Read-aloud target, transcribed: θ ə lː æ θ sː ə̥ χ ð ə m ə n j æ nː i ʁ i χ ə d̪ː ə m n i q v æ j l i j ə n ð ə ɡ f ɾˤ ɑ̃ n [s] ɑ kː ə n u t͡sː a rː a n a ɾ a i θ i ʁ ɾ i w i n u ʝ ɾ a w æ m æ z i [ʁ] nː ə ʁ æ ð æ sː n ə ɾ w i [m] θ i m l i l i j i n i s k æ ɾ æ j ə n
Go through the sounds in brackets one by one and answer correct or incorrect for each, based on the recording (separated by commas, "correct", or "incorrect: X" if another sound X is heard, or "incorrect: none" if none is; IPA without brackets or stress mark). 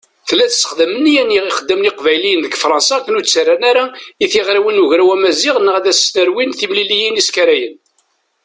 correct, correct, incorrect: n